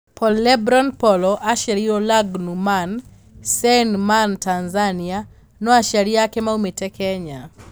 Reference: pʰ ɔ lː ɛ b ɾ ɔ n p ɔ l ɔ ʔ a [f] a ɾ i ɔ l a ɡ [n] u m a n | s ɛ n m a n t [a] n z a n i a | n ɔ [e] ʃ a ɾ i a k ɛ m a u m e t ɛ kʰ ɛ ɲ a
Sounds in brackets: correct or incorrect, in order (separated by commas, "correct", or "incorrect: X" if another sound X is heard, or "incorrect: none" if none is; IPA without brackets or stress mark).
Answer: incorrect: ʃ, correct, correct, incorrect: a